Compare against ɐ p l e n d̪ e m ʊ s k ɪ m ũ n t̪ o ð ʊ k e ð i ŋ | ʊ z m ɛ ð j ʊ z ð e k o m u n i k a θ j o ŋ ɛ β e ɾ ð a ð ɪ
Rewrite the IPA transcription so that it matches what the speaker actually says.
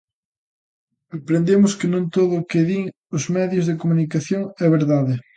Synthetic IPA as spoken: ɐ p ɾ e n d̪ e m ʊ s k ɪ n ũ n t̪ o ð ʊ k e ð i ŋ | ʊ z m ɛ ð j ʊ z ð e k o m u n i k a θ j o ŋ ɛ β e ɾ ð a ð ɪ